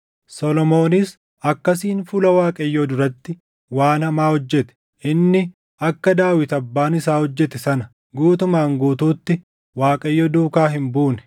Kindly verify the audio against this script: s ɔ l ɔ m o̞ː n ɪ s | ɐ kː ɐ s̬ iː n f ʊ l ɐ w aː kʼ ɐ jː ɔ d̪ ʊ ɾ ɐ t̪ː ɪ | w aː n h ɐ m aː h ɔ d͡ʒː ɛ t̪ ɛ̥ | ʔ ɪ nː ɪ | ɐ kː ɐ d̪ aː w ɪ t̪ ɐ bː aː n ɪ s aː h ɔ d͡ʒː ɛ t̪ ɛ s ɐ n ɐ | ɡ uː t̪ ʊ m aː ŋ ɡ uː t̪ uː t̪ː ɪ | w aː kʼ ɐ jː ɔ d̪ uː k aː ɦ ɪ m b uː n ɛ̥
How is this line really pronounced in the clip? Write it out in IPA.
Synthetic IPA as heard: s ɔ l ɔ m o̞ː n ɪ s | ɐ kː ɐ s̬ iː n f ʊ l ɐ w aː kʼ ɐ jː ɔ d̪ ʊ ɾ ɐ t̪ː ɪ | w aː n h ɐ m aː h ɔ d͡ʒː ɛ t̪ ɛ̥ | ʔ ɪ nː ɪ | ɐ kː ɐ d̪ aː w ɪ t̪ ɐ bː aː n ɪ s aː h ɔ d͡ʒː ɛ t̪ ɛ s ɐ n ɐ | ɡ uː t̪ ʊ m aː ŋ ɡ uː t̪ uː t̪ː ɪ | w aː kʼ ɐ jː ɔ d̪ uː k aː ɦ ɪ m b uː n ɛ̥